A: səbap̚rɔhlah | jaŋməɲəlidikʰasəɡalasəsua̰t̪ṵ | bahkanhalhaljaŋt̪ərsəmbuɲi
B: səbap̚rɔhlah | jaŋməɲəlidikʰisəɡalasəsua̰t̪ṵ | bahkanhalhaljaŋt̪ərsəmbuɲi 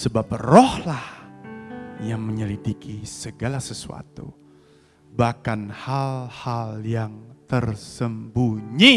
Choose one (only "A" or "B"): B